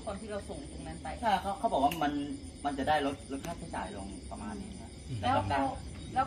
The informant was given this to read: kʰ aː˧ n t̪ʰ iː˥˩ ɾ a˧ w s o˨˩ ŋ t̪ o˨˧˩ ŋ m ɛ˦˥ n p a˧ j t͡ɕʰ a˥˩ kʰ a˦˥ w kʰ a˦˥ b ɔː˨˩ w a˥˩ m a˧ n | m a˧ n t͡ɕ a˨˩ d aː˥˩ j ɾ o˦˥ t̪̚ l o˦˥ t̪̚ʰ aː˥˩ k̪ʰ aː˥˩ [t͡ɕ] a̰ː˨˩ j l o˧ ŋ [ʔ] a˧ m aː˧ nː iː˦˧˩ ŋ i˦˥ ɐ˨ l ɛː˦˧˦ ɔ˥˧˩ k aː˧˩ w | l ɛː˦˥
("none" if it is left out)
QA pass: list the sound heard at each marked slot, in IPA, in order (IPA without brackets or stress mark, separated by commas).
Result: t͡ɕ, p